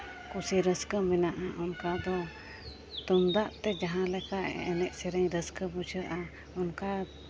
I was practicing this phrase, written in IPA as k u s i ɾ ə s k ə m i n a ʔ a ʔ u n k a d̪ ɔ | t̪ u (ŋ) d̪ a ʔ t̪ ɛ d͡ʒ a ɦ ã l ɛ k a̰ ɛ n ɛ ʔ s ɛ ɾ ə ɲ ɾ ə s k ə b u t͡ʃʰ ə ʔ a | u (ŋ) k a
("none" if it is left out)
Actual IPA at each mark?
m, n

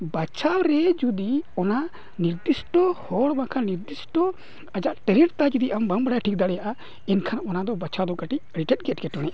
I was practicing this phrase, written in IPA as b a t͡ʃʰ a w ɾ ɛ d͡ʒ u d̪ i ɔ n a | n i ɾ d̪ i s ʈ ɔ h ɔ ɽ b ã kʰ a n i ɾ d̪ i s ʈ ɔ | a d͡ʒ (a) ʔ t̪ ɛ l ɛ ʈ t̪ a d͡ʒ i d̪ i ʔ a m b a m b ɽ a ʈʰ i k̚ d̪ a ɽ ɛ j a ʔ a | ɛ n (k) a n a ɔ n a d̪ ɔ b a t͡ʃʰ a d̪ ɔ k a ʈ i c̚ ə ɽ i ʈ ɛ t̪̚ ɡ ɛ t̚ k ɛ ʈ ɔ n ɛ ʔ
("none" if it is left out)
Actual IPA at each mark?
a, kʰ

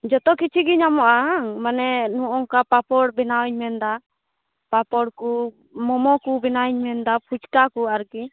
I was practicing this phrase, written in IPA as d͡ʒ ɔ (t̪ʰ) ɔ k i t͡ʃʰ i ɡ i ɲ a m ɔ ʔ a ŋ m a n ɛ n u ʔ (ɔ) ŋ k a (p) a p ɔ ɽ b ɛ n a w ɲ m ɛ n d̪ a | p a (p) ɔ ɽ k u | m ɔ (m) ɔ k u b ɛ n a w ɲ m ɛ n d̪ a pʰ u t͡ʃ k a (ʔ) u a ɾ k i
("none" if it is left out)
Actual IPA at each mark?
t̪, ɔ, p, p, m, k

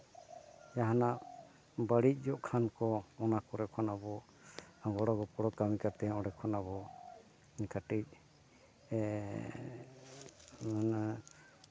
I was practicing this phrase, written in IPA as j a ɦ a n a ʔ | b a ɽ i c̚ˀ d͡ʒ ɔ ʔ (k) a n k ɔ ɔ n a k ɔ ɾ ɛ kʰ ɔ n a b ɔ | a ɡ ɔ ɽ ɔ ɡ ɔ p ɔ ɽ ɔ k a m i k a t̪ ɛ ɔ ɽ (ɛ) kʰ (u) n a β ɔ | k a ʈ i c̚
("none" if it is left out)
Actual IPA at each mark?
kʰ, ɛ, ɔ

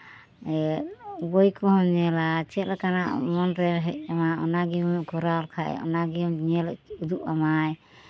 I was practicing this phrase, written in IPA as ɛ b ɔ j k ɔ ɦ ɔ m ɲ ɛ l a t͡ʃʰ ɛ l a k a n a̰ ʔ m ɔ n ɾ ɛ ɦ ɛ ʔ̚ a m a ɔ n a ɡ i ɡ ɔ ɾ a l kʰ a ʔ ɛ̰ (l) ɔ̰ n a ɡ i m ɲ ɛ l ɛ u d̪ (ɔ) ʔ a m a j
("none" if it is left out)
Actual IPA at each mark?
none, u

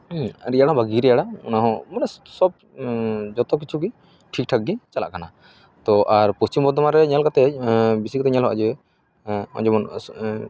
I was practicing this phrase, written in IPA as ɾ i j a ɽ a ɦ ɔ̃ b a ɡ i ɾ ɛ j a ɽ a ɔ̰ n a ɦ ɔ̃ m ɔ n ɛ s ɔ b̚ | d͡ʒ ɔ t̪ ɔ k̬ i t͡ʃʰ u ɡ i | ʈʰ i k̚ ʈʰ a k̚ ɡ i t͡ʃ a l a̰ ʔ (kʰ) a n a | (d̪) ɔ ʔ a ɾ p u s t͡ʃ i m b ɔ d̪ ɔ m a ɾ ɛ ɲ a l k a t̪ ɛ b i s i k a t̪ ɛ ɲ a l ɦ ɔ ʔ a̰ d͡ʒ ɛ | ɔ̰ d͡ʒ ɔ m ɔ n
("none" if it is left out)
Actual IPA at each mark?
k, t̪

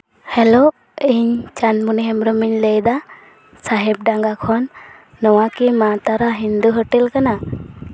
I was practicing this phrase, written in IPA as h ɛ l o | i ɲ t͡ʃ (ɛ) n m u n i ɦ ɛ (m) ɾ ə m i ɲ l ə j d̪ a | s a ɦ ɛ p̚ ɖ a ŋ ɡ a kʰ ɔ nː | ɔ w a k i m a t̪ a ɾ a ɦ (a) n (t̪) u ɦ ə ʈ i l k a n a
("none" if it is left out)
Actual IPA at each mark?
a, m, i, d̪

